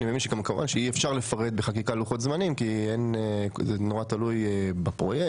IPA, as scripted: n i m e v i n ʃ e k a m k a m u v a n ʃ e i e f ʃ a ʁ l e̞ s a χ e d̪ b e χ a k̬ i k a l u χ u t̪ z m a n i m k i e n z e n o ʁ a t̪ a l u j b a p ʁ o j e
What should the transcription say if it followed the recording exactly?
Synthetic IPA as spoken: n i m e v i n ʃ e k a m k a m u v a n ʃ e i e f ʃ a ʁ l e̞ f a ʁ e d̪ b e χ a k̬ i k a l u χ o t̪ z m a n i m k i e n z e n o ʁ a t̪ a l u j b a p ʁ o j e